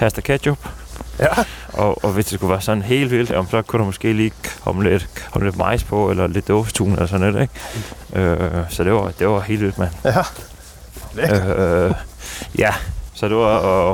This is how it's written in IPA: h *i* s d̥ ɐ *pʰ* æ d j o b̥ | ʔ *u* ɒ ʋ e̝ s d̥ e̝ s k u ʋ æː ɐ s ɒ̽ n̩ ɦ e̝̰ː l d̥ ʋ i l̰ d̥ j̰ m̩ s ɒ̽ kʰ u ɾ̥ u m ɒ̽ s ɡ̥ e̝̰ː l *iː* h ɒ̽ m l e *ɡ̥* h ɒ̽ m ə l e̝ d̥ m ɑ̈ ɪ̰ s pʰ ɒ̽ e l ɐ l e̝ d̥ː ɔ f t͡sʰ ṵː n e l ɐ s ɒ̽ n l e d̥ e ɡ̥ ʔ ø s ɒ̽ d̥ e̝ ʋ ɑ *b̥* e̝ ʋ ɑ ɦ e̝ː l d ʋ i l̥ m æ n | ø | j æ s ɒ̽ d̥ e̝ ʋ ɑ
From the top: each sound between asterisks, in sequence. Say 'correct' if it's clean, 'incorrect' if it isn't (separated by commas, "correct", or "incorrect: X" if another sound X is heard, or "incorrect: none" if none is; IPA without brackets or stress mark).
incorrect: æ, incorrect: kʰ, incorrect: ɒ, correct, incorrect: d̥, incorrect: d̥